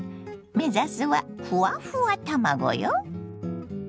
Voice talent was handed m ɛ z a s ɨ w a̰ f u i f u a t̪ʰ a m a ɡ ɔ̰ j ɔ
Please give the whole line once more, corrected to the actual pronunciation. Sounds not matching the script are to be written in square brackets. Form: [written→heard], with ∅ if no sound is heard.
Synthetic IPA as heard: m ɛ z a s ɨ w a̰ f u [i→a] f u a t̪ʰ a m a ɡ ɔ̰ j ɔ